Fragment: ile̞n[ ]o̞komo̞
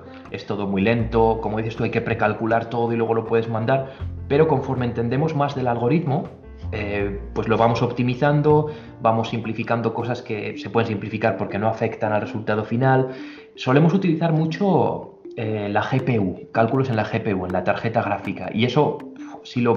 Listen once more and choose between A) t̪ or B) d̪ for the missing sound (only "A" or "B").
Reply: A